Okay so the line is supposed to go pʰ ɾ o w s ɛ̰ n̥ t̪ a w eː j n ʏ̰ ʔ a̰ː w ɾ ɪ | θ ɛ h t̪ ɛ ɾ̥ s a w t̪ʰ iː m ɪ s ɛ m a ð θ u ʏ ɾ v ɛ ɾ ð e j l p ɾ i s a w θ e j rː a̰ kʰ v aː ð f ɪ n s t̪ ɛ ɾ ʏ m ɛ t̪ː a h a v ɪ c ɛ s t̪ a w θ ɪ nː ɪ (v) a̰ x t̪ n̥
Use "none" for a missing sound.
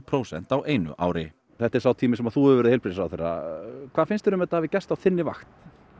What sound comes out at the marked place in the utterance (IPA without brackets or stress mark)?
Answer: v